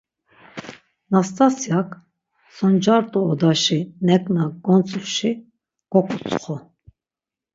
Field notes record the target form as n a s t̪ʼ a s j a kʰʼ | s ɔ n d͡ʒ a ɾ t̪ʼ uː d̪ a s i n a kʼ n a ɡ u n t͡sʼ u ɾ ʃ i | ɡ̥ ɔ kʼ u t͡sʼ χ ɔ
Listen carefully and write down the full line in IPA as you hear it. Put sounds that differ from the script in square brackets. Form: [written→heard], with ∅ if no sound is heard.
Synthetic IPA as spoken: n a s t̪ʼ a s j a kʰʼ | s ɔ n d͡ʒ a ɾ t̪ʼ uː d̪ a [s→ʃ] i n [a→ɛ] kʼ n a ɡ [u→ɔ] n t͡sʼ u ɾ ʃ i | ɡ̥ ɔ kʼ u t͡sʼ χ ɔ